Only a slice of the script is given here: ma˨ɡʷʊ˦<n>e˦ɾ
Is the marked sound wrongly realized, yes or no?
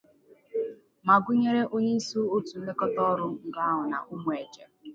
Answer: yes